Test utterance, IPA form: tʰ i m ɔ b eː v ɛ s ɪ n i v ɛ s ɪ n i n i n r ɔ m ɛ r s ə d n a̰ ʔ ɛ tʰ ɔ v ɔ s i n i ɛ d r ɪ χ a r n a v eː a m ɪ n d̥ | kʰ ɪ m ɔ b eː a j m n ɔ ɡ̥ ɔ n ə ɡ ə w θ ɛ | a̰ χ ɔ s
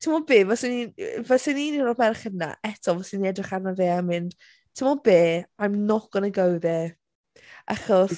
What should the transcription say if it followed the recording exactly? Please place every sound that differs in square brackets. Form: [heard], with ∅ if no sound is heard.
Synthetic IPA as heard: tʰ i m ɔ b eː v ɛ s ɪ n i v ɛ s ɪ n i n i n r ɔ m ɛ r [χ] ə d n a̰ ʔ ɛ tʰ ɔ v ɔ s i n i ɛ d r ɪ χ a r n a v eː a m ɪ n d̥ | [tʰ] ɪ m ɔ b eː a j m n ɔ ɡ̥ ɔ n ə ɡ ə w [ð] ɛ | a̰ χ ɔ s